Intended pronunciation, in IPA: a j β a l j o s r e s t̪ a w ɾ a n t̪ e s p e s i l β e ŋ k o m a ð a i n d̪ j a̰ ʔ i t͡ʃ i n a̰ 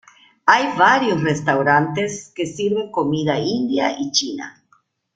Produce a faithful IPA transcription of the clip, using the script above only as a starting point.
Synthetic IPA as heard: a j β a ɾ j o s r e s t̪ a w ɾ a n t̪ e s k e s i ɾ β e ŋ k o m i ð a i n d̪ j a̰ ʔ i t͡ʃ i n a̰